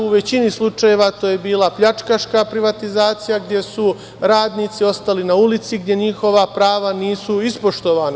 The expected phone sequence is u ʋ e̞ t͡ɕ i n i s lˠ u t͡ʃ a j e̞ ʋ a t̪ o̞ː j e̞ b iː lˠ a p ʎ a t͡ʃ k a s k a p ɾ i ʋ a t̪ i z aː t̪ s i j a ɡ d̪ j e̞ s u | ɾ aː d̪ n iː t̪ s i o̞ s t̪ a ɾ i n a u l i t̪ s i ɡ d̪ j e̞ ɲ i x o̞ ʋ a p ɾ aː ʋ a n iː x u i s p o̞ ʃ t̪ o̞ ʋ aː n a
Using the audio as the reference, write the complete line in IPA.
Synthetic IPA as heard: u ʋ e̞ t͡ɕ i n i s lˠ u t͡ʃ a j e̞ ʋ a t̪ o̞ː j e̞ b iː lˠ a p ʎ a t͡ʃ k a ʃ k a p ɾ i ʋ a t̪ i z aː t̪ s i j a ɡ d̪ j e̞ s u | ɾ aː d̪ n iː t̪ s i o̞ s t̪ a l i n a u l i t̪ s i ɡ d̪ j e̞ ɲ i x o̞ ʋ a p ɾ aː ʋ a n iː s u i s p o̞ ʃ t̪ o̞ ʋ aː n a